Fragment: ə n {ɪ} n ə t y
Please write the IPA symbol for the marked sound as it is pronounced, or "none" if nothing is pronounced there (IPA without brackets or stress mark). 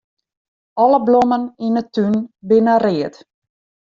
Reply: i